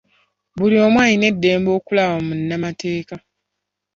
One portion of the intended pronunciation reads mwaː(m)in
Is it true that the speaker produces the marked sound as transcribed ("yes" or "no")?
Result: no